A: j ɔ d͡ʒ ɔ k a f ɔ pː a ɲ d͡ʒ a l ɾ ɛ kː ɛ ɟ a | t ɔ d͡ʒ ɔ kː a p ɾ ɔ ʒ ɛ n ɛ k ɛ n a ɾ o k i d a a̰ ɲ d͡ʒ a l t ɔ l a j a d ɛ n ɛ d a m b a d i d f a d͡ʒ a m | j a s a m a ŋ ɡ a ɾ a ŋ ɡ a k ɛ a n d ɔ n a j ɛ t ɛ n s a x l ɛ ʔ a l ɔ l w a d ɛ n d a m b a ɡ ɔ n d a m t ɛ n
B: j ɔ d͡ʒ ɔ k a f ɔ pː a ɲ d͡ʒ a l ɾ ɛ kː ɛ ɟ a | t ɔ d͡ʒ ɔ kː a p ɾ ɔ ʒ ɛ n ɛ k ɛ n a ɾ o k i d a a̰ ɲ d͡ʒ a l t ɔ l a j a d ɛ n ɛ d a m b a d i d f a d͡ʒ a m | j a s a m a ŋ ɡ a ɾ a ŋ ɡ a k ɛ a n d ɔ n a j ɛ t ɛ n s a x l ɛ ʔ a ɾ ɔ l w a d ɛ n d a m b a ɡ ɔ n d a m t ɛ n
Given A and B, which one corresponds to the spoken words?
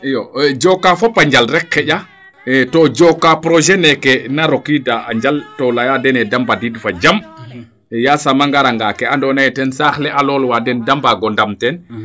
A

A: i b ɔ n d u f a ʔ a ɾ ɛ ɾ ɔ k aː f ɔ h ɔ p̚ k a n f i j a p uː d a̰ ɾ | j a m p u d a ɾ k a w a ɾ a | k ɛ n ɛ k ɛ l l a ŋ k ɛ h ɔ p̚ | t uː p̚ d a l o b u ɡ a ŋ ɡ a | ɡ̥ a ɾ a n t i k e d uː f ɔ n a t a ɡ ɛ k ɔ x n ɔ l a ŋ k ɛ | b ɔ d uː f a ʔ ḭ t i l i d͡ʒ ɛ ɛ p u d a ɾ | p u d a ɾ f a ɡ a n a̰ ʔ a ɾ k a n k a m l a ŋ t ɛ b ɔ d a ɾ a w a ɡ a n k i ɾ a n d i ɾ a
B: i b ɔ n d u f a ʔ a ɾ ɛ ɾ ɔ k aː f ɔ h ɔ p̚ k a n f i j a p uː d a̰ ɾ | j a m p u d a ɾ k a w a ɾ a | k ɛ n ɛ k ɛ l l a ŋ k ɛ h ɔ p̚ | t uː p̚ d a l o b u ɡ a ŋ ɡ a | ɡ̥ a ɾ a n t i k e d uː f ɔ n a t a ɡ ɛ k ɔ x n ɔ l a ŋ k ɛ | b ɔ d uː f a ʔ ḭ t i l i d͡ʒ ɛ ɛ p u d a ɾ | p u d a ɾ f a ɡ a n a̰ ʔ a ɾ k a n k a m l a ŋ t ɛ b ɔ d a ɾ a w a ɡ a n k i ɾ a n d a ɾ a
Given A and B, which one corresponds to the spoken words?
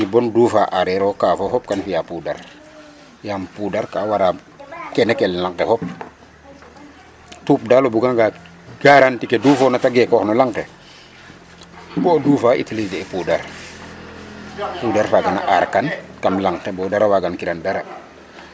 B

